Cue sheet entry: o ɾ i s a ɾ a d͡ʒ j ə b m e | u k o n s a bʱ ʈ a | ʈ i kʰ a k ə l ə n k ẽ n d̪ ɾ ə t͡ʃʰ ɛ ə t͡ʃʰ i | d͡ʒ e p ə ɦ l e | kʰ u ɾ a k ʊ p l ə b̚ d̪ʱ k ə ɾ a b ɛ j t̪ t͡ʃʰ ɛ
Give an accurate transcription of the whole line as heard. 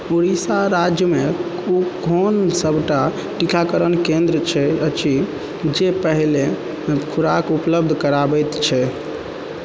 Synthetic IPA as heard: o ɾ i s a ɾ a d͡ʒ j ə m e | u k o n s ə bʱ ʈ a | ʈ i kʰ a k ə ɾ ə n k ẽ n d̪ ɾ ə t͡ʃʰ ɛ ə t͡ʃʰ i | d͡ʒ e p ə ɦ l e | kʰ u ɾ a k u p l ə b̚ d̪ʱ k ə ɾ a b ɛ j t̪ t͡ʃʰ ɛ